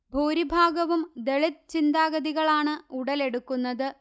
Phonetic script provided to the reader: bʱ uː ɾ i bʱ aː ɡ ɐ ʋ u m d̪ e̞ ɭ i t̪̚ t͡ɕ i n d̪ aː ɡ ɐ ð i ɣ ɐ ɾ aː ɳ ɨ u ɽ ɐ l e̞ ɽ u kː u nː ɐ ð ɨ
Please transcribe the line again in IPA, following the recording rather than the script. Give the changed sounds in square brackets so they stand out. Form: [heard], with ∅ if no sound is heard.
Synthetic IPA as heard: bʱ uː ɾ i bʱ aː ɡ ɐ ʋ u m d̪ e̞ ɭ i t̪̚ t͡ɕ i n d̪ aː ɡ ɐ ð i ɣ ɐ [ɭ] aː ɳ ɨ u ɽ ɐ l e̞ ɽ u kː u nː ɐ ð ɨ